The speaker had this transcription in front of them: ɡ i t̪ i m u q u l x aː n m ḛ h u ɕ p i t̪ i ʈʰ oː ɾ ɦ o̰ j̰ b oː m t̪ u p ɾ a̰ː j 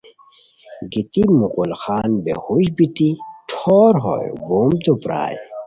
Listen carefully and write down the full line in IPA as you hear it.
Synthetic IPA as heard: ɡ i t̪ i m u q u l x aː n b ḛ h u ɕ b i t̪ i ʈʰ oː ɾ ɦ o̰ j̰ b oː m t̪ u p ɾ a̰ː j